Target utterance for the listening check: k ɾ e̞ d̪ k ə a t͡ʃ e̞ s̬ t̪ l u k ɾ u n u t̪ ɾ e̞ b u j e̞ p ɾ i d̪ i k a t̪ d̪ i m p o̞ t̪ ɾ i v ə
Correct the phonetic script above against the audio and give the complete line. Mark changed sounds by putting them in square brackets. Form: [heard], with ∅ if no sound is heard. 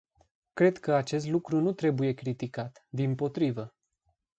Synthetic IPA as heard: k ɾ e̞ d̪ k ə a t͡ʃ e̞ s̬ t̪ l u k ɾ u n u t̪ ɾ e̞ b u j e̞ [k] ɾ i [t̪] i k a t̪ d̪ i m p o̞ t̪ ɾ i v ə